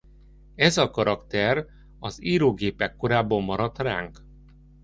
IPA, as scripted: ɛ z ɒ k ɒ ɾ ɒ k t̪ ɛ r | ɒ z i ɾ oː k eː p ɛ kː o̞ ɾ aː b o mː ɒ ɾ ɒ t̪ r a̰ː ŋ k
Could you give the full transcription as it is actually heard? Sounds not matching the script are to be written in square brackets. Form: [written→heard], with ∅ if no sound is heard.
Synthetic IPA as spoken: ɛ z ɒ k ɒ ɾ ɒ k t̪ ɛ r | ɒ z [i→iː] ɾ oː [k→ɡ] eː p ɛ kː o̞ ɾ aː b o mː ɒ ɾ ɒ t̪ r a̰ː ŋ k